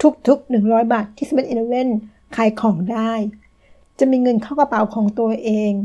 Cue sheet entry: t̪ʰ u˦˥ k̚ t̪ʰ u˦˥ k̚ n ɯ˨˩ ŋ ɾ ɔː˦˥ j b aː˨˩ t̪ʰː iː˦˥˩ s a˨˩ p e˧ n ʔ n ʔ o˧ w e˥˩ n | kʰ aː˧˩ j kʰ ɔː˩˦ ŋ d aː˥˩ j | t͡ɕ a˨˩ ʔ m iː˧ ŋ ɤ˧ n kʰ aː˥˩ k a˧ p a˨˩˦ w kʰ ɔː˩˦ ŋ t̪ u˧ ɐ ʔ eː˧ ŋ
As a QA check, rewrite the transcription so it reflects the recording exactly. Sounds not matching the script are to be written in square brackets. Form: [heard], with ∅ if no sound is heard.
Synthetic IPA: t̪ʰ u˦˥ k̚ t̪ʰ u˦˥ k̚ n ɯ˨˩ ŋ ɾ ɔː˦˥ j b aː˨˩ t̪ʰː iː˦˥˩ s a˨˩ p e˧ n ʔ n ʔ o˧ w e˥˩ n | kʰ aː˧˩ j kʰ ɔː˩˦ ŋ d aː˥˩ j | t͡ɕ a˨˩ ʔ m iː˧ ŋ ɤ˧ n kʰ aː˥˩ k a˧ p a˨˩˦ w kʰ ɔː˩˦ ŋ t̪ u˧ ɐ ʔ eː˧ ŋ